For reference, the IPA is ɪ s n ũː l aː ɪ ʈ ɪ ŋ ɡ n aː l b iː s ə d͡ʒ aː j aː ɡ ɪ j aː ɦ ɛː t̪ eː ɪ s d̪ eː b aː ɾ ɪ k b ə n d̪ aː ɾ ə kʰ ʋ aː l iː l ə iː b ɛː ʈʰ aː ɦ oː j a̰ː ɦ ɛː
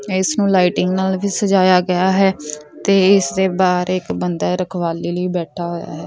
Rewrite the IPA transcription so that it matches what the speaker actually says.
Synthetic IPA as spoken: ɪ s n ũː l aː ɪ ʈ ɪ ŋ ɡ n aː l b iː s ə d͡ʒ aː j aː ɡ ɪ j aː ɦ ɛː t̪ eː ɪ s d̪ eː b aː ɾ ɪ k b ə n d̪ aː ɾ ə kʰ ʋ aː l iː l ə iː b ɛː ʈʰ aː ɦ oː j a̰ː ɦ ɛː